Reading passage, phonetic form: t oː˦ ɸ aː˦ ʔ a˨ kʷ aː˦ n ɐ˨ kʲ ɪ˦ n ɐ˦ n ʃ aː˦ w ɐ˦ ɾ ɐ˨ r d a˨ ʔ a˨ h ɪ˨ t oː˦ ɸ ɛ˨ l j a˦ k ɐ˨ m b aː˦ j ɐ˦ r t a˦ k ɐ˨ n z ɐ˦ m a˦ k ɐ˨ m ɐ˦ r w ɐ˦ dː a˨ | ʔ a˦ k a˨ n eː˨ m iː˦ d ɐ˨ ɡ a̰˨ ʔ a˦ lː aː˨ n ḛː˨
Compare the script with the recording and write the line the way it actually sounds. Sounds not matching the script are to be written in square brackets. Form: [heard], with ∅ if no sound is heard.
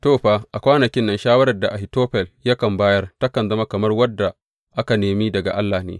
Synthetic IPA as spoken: t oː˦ ɸ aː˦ ʔ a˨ kʷ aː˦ n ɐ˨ kʲ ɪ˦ [nː] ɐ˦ n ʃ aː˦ w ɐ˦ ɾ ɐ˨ r d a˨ ʔ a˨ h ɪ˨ t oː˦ ɸ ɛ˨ l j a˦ k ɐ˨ m b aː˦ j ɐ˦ r t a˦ k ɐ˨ n z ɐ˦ m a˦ k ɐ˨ m ɐ˦ r w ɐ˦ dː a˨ | ʔ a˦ k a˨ n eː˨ m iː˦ d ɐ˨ ɡ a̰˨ ʔ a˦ lː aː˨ n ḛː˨